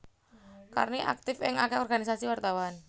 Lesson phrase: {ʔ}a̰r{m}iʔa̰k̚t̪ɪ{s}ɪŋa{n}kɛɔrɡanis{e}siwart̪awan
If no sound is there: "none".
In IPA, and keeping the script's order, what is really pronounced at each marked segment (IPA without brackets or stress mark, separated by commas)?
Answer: k, n, f, none, a